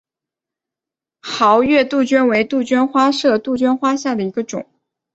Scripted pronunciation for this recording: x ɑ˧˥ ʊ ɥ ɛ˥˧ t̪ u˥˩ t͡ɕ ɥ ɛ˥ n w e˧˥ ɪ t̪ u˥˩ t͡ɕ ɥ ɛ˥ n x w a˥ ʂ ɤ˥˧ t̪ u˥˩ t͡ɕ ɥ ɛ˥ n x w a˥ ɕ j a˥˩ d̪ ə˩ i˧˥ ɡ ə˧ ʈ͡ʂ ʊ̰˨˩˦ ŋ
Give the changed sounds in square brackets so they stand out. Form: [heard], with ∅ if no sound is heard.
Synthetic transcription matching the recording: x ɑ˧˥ ʊ ɥ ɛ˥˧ t̪ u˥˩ t͡ɕ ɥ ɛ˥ n w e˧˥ ɪ t̪ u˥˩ t͡ɕ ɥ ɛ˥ n x w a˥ ʂ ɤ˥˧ t̪ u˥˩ t͡ɕ ɥ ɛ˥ n x w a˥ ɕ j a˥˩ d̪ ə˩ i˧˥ ɡ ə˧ ʈ͡ʂ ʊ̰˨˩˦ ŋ